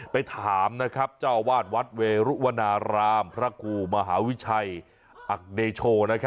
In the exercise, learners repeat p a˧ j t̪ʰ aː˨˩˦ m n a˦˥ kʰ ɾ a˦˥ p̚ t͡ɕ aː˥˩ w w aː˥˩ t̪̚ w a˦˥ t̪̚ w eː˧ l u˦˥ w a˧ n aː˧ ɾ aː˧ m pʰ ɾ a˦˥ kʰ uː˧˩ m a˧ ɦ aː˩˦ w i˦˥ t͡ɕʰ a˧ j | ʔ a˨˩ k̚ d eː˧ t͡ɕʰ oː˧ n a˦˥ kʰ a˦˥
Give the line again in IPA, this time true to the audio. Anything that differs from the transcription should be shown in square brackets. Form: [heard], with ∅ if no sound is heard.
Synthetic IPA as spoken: p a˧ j t̪ʰ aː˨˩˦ m n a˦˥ kʰ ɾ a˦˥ p̚ t͡ɕ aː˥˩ w w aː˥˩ t̪̚ w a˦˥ t̪̚ w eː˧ [ɾ] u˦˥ w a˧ n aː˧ ɾ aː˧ m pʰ ɾ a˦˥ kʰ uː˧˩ m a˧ ɦ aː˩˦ w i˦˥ t͡ɕʰ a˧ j | ʔ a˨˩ k̚ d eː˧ t͡ɕʰ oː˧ n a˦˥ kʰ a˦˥